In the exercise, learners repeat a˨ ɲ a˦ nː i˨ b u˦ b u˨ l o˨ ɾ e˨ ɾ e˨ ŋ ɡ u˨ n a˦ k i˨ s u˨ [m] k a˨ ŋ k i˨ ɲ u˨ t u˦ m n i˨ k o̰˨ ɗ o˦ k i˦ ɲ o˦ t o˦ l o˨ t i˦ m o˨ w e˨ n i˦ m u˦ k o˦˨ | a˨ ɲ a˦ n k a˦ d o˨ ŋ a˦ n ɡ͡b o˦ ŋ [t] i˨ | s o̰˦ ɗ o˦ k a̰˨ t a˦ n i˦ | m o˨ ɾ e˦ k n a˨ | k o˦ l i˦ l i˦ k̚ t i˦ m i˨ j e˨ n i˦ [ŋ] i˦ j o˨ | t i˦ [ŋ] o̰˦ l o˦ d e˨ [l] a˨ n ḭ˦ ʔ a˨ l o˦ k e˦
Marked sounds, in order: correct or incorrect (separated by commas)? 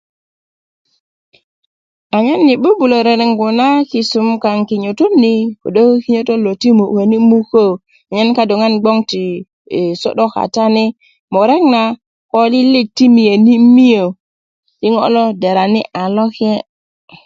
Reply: correct, correct, incorrect, correct, incorrect